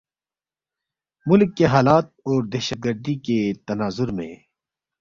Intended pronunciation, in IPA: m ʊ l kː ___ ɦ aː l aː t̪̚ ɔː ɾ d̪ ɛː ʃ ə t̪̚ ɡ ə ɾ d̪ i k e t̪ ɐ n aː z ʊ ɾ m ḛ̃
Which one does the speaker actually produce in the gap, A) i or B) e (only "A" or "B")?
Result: B